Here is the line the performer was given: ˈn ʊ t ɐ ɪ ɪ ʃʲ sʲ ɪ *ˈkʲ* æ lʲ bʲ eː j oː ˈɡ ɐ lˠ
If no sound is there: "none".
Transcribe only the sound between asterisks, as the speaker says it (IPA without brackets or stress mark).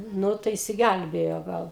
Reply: ɡʲ